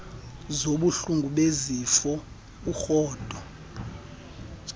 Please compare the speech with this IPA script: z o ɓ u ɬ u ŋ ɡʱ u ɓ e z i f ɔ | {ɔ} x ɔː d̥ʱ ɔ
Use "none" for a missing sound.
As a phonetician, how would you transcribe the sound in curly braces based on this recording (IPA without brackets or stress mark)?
u